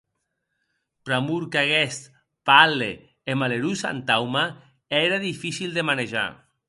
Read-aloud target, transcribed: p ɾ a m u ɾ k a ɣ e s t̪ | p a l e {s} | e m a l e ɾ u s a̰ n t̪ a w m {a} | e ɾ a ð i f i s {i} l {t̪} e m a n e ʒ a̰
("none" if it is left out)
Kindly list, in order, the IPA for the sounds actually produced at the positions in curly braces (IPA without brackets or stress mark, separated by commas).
none, a, i, d̪